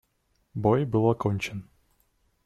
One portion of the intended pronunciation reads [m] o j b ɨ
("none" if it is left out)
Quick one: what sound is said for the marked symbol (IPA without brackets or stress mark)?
b